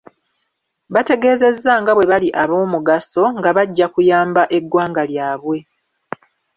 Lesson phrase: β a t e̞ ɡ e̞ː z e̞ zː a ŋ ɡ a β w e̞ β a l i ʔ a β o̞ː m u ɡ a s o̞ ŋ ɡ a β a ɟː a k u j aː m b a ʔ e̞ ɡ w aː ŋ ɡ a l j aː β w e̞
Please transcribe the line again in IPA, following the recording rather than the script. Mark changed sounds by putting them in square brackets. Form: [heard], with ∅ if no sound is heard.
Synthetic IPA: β a t e̞ ɡ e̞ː z e̞ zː a ŋ ɡ a β w e̞ β a l i ʔ a β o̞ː m u ɡ a s o̞ ŋ ɡ a β a ɟː a k u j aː m b a ʔ e̞ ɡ w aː ŋ ɡ a l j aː β w e̞